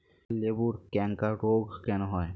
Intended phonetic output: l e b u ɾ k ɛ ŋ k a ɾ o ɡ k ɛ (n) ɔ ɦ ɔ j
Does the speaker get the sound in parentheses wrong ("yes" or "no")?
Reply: no